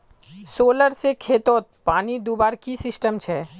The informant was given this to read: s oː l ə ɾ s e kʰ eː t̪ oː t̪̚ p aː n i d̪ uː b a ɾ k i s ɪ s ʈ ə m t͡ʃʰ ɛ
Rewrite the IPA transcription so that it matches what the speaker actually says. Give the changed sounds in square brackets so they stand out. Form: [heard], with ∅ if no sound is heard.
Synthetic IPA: s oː l ə ɾ s e kʰ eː t̪ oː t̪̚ p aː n i d̪ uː b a ɾ k i s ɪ s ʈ ə m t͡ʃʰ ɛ